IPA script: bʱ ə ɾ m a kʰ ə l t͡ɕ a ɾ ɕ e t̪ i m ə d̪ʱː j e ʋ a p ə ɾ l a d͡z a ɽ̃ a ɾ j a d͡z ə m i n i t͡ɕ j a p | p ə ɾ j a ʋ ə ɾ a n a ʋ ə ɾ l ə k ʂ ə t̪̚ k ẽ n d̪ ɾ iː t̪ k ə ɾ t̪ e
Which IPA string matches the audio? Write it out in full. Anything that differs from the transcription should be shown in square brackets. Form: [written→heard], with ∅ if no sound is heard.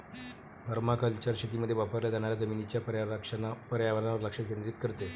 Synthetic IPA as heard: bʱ ə ɾ m a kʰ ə l t͡ɕ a ɾ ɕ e t̪ i m ə d̪ʱː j e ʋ a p ə ɾ l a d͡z a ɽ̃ a ɾ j a d͡z ə m i n i t͡ɕ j a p | p ə ɾ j a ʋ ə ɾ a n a ʋ ə ɾ l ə k ʂ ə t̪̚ k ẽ n d̪ ɾ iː t̪ k ə ɾ t̪ e

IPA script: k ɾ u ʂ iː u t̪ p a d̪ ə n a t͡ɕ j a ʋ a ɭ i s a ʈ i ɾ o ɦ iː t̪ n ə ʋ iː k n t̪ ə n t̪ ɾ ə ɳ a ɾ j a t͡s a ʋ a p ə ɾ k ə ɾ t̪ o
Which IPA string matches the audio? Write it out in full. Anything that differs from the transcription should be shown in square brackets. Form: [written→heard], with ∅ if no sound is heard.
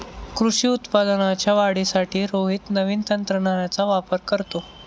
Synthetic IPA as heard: k ɾ u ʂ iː u t̪ p a d̪ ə n a t͡ɕ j a ʋ a [ɭ→ɽ] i s a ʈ [i→iː] ɾ o ɦ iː t̪ n ə ʋ iː [k→∅] n t̪ ə n t̪ ɾ ə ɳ a ɾ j a t͡s a ʋ a p ə ɾ k ə ɾ t̪ o

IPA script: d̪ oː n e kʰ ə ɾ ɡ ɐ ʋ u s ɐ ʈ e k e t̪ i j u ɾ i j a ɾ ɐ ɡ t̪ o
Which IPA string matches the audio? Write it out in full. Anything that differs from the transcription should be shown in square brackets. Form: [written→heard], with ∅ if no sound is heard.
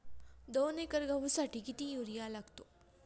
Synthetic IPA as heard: d̪ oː n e [kʰ→k] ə ɾ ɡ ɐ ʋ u s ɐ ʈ [e→i] k [e→i] t̪ i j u ɾ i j a [ɾ→l] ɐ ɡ t̪ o

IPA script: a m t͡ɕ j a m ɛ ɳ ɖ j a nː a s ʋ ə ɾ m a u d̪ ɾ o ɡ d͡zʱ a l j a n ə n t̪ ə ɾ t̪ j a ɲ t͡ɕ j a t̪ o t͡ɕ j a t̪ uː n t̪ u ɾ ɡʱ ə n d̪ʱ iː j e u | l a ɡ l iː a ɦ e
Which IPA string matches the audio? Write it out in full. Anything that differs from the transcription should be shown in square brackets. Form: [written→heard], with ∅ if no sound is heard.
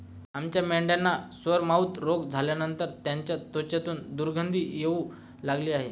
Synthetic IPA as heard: a m t͡ɕ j a m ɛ ɳ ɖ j a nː a s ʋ ə ɾ m a u [d̪→t̪] ɾ o ɡ d͡zʱ a l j a n ə n t̪ ə ɾ t̪ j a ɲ t͡ɕ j a t̪ o t͡ɕ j a t̪ uː n [t̪→d̪] u ɾ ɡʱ ə n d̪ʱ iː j e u | l a ɡ l iː a ɦ e

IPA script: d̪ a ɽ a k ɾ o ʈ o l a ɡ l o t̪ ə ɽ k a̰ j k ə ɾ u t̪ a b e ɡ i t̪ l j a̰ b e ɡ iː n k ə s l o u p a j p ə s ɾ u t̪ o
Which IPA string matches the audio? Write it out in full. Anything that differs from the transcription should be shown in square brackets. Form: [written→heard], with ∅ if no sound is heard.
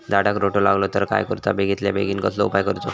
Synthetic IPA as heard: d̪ a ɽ a k ɾ o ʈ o l a ɡ l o t̪ ə [ɽ→ɾ] k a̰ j k ə ɾ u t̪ a b e ɡ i t̪ l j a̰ b e ɡ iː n k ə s l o u p a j [p→k] ə [s→∅] ɾ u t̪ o

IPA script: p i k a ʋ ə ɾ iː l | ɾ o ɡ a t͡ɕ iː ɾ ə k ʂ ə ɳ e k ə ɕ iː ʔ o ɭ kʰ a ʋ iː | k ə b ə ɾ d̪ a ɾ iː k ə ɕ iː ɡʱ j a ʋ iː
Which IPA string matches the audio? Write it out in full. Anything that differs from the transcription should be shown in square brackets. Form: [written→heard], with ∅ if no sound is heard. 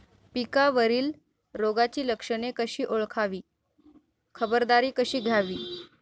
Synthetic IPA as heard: p i k a ʋ ə ɾ iː l | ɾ o ɡ a t͡ɕ iː [ɾ→l] ə k ʂ ə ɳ e k ə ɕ iː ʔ o ɭ kʰ a ʋ iː | [k→kʰ] ə b ə ɾ d̪ a ɾ iː k ə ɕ iː ɡʱ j a ʋ iː

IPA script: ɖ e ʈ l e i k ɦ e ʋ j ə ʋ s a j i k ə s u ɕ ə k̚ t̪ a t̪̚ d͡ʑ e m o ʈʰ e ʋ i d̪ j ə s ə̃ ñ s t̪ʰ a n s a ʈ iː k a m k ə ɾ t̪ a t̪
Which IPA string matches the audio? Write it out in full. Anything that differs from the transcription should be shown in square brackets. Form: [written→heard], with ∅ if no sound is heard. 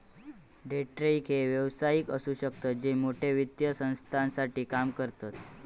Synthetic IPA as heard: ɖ e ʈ [l→ɾ] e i k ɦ e ʋ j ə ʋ s a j i k ə s u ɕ ə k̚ t̪ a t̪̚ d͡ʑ e m o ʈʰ e ʋ i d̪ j ə s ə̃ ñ s t̪ʰ a n s a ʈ iː k a m k ə ɾ t̪ a t̪

